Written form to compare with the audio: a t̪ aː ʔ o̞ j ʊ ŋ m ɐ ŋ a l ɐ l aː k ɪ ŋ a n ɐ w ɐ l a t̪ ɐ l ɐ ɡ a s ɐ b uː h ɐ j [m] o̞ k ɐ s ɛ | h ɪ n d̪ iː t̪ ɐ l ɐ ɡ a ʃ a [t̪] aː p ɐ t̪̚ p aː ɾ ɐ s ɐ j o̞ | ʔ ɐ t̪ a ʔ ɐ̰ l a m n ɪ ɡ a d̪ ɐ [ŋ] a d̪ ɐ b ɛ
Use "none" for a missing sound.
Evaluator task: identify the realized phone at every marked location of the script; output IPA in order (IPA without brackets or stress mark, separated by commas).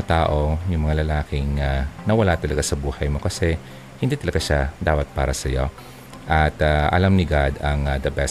m, d̪, ŋ